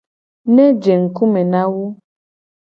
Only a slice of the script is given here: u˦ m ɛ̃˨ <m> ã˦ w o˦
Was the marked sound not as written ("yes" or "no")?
yes